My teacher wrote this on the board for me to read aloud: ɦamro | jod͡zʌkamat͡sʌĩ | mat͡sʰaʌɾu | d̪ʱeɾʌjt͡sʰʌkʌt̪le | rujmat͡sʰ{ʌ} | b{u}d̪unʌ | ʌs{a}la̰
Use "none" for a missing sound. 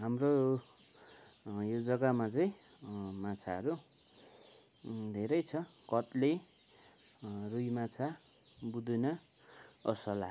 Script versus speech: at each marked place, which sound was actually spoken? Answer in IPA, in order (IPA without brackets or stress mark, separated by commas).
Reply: a, u, ʌ